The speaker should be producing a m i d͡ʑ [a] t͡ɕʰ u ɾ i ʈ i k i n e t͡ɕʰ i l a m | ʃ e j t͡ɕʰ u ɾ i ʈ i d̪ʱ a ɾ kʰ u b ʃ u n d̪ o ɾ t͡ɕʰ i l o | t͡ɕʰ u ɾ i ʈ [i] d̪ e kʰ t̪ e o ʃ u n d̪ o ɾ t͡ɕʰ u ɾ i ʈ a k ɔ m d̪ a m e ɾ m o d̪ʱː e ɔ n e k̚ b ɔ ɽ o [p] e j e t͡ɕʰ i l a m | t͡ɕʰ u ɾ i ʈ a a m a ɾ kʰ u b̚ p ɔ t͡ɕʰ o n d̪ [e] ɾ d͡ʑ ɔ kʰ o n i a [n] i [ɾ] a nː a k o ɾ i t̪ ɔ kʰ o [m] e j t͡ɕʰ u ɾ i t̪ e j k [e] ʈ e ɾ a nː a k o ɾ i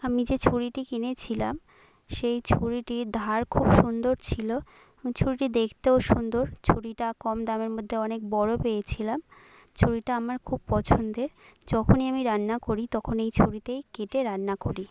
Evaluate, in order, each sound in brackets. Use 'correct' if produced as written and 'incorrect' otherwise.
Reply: incorrect, correct, correct, correct, incorrect, correct, incorrect, correct

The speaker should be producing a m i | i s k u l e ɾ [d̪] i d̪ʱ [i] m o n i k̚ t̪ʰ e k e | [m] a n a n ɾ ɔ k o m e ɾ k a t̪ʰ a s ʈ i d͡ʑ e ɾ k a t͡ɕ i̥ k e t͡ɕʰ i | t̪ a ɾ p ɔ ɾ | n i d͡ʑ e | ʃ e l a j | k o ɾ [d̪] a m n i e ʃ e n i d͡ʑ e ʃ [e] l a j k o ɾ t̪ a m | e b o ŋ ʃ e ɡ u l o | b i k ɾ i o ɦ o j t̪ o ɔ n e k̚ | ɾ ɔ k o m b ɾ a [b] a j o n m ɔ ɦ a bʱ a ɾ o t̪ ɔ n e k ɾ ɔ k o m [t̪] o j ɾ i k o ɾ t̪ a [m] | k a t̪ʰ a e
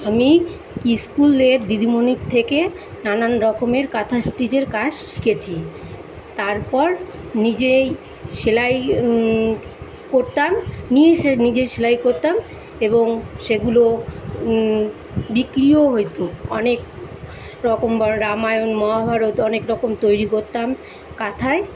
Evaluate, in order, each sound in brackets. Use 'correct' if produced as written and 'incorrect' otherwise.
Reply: correct, correct, incorrect, incorrect, correct, incorrect, correct, correct

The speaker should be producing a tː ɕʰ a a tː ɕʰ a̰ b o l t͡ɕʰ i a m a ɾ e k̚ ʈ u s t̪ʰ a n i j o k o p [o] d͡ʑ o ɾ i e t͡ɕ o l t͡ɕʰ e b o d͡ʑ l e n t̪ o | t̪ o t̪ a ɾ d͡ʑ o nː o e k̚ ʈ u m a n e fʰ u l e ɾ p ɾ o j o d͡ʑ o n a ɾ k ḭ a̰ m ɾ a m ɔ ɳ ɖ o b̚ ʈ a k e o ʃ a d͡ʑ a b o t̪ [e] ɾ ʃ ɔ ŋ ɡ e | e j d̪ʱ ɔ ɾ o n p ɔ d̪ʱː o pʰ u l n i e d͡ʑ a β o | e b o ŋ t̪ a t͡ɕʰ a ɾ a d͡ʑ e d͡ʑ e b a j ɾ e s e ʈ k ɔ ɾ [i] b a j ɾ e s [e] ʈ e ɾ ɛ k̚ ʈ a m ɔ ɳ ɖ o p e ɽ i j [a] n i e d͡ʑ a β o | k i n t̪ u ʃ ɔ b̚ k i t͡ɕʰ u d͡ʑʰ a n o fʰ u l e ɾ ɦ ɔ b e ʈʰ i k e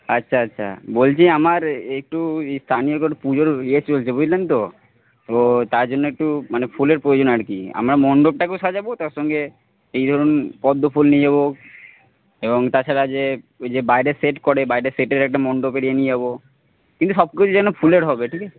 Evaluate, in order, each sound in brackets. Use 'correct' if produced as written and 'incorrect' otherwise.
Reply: incorrect, incorrect, incorrect, correct, incorrect

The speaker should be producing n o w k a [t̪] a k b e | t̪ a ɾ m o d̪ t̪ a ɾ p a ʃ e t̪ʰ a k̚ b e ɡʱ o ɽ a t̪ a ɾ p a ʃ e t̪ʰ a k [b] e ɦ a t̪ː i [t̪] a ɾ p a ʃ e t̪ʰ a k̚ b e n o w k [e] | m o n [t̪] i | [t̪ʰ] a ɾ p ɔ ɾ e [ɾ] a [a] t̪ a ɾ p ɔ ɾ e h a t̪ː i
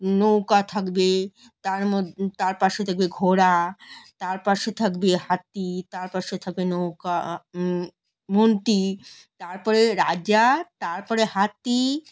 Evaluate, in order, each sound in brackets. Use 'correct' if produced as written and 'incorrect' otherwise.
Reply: incorrect, correct, correct, incorrect, correct, incorrect, correct, correct

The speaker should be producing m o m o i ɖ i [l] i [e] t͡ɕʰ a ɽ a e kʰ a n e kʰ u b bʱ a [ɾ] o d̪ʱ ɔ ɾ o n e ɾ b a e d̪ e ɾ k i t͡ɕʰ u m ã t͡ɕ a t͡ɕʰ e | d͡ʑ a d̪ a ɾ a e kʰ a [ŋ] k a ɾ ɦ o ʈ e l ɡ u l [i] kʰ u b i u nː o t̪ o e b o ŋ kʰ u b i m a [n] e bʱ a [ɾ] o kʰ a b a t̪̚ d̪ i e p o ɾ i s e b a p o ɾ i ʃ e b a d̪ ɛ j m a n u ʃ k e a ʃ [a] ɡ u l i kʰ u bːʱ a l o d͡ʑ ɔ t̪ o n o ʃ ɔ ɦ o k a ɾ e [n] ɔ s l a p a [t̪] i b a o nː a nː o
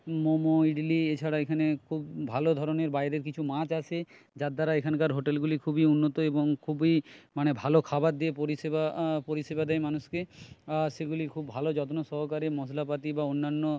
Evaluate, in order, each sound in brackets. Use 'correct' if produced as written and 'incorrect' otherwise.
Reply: correct, correct, incorrect, incorrect, correct, correct, incorrect, incorrect, incorrect, correct

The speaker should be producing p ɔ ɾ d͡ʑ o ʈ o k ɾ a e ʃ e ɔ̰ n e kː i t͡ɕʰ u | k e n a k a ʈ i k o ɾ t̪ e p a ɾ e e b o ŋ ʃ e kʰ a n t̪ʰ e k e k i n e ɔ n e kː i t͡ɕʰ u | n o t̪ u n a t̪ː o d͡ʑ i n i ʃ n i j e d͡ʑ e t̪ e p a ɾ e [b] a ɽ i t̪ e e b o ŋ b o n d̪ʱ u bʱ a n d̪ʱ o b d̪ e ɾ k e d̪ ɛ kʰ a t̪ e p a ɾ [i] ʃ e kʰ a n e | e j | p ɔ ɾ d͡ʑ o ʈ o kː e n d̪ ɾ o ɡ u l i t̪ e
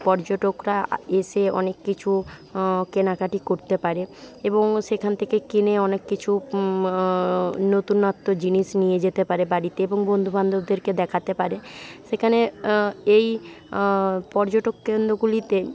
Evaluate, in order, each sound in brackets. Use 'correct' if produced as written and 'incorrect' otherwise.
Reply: correct, incorrect

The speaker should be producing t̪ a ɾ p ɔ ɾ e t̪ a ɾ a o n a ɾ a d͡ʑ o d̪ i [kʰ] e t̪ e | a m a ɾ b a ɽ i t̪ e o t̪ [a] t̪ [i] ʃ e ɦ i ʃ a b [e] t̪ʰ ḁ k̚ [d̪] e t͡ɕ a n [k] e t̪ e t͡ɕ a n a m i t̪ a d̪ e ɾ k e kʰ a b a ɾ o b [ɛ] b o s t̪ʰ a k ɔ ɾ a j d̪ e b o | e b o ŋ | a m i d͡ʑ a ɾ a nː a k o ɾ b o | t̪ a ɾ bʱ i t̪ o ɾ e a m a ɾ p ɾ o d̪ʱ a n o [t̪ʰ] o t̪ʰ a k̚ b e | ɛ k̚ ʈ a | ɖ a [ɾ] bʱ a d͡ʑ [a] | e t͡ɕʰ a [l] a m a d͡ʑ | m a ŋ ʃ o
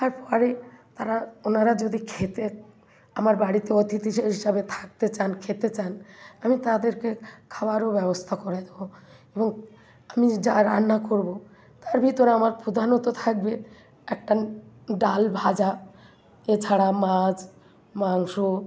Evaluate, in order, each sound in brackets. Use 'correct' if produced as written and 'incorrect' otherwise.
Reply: correct, incorrect, correct, correct, incorrect, incorrect, correct, incorrect, incorrect, correct, incorrect

